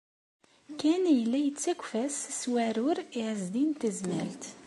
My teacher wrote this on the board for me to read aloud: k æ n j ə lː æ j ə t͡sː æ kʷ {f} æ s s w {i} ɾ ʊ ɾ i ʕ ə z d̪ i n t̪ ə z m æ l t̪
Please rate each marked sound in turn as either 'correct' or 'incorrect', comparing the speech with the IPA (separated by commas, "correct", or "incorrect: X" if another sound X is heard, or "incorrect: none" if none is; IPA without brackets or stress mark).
correct, incorrect: æ